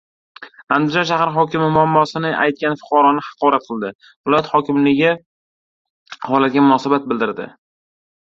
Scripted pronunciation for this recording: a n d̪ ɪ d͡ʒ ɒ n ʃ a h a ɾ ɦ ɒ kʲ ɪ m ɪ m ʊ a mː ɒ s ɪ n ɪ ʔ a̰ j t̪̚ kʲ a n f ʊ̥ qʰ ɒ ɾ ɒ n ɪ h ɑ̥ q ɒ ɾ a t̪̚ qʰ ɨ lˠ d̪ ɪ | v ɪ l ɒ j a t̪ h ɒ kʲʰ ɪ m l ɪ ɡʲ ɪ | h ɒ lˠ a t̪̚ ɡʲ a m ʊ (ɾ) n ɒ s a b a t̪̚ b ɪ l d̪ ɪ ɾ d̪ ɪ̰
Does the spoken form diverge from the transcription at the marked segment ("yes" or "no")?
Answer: yes